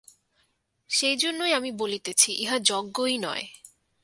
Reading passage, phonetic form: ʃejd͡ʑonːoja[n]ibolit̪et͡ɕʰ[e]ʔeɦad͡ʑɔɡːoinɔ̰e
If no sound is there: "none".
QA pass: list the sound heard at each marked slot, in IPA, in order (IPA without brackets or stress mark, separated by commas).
m, i